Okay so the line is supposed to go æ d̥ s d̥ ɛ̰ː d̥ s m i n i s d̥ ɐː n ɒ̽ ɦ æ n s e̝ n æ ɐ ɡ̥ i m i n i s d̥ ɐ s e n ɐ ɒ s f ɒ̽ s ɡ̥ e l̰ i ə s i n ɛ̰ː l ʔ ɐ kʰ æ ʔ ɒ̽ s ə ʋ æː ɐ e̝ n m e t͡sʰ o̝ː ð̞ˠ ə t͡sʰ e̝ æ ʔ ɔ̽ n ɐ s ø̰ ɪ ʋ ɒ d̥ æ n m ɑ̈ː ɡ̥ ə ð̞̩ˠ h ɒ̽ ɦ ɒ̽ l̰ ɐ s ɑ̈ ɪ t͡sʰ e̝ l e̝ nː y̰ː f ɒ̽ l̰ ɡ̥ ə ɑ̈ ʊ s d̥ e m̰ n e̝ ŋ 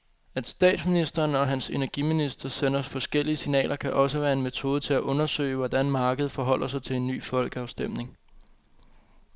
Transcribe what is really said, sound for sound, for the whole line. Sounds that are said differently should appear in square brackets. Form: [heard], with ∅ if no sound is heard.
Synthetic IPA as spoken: æ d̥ s d̥ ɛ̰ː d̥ s m i n i s d̥ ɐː n ɒ̽ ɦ æ n s e̝ n æ ɐ ɡ̥ i m i n i s d̥ ɐ s e n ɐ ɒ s f ɒ̽ s ɡ̥ e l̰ i ə s i n ɛ̰ː l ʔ ɐ kʰ æ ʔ ɒ̽ s ə ʋ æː ɐ e̝ n m e t͡sʰ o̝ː ð̞ˠ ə t͡sʰ e̝ æ ʔ ɔ̽ n ɐ s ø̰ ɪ ʋ ɒ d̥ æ n m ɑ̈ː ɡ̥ ə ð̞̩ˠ [f] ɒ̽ ɦ ɒ̽ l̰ ɐ s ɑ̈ ɪ t͡sʰ e̝ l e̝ nː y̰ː f ɒ̽ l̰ ɡ̥ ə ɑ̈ ʊ s d̥ e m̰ n e̝ ŋ